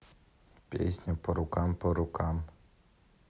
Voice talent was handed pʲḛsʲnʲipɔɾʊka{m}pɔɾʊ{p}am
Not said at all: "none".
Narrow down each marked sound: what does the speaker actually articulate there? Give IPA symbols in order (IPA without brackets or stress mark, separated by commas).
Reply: m, k